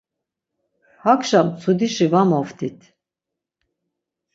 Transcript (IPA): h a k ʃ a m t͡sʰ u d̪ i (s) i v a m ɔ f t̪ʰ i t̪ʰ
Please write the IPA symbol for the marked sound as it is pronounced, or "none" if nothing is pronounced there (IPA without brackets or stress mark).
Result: ʃ